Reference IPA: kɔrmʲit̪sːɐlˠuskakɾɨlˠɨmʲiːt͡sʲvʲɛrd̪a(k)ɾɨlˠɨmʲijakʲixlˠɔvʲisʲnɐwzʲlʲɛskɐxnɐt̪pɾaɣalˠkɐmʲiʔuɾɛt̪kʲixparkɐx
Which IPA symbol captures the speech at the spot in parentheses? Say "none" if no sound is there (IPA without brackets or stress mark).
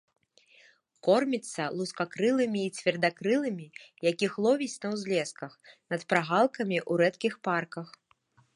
k